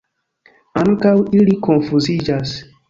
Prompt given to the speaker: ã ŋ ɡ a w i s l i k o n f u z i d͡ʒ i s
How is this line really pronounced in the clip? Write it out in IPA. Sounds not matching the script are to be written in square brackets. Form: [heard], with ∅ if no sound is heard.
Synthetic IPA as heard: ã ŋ [k] a w i [∅] l i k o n f u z i d͡ʒ [a] s